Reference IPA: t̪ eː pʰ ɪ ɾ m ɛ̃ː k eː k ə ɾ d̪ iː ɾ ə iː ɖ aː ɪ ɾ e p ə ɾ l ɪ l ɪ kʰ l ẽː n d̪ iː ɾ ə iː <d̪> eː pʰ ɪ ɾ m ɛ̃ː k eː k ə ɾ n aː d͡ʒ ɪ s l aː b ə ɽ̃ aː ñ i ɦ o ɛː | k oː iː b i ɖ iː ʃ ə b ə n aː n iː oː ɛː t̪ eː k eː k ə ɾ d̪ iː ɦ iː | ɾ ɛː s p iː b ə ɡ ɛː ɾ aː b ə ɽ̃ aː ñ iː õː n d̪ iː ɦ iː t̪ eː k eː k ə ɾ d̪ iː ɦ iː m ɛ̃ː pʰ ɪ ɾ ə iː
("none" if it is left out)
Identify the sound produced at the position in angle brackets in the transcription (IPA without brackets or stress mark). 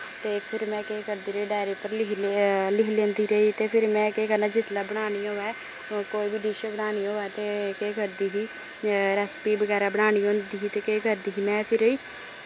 t̪